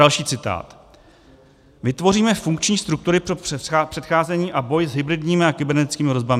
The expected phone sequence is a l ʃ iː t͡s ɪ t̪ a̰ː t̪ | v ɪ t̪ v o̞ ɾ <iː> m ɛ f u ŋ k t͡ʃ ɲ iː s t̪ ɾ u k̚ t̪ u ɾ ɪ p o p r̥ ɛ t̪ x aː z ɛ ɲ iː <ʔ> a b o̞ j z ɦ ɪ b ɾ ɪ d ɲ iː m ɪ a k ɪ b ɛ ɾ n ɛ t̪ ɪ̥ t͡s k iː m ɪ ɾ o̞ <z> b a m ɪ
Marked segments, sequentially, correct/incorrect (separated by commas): correct, correct, correct